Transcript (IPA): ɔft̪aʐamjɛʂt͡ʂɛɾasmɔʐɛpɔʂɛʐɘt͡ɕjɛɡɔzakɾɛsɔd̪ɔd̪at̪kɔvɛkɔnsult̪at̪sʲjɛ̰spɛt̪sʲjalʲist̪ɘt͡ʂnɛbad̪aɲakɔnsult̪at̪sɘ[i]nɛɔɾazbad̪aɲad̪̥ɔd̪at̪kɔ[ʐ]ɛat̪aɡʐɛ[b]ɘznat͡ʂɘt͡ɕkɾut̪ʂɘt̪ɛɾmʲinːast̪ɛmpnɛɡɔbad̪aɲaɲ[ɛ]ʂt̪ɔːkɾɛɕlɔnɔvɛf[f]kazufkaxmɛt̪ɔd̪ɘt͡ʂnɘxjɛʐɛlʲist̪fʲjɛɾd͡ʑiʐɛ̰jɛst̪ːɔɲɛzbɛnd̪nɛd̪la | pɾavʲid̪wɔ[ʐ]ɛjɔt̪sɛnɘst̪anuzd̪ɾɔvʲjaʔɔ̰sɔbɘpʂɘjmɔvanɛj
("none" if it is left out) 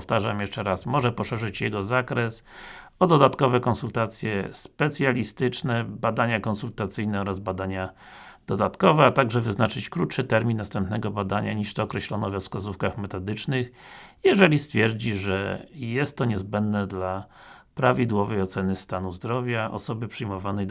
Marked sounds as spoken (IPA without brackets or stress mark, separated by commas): j, v, v, i, s, v